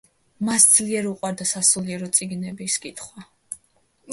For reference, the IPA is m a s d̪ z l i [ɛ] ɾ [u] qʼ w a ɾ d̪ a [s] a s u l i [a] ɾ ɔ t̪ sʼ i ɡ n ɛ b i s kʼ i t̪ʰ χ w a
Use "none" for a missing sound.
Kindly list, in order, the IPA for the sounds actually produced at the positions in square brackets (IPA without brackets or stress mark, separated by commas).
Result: ɛ, u, s, ɛ